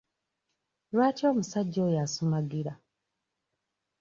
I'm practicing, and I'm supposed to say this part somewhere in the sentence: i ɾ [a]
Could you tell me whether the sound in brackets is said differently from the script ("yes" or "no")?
no